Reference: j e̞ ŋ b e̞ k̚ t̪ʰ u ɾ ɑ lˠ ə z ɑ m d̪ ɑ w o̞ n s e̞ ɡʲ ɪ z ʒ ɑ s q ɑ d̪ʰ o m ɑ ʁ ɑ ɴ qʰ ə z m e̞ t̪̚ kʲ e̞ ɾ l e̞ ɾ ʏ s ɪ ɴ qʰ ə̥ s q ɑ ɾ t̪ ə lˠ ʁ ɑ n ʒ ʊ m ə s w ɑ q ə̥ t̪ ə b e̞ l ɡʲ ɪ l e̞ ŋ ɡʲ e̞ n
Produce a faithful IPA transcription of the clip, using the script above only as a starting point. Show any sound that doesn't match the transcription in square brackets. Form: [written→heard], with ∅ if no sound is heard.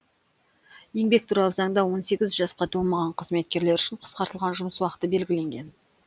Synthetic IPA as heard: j e̞ ŋ b e̞ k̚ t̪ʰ u ɾ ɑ lˠ ə z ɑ [m→ŋ] d̪ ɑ w o̞ n s e̞ ɡʲ ɪ z ʒ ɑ s q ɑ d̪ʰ o m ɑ ʁ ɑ ɴ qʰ ə z m e̞ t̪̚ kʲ e̞ ɾ l e̞ ɾ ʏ [s→ʃ] ɪ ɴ qʰ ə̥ s q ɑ ɾ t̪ ə lˠ ʁ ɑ n ʒ ʊ m ə s w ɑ q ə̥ t̪ ə b e̞ l ɡʲ ɪ l e̞ ŋ ɡʲ e̞ n